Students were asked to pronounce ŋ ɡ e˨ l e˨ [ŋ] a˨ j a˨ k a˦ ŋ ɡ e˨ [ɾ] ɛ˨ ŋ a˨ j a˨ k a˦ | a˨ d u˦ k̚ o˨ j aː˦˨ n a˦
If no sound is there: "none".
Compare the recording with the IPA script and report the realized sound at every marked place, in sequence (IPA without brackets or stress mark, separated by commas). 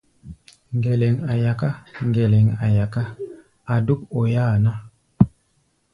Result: ŋ, l